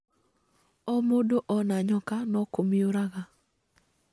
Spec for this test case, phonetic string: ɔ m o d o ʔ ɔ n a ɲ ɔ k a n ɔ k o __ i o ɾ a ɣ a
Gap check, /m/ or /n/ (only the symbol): m